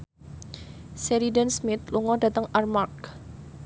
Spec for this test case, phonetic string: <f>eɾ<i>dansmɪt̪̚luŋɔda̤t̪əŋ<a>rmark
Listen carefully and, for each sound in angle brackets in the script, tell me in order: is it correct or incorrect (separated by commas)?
incorrect, correct, correct